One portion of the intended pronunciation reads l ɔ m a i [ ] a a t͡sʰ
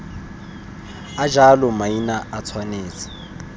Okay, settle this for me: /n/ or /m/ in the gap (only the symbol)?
n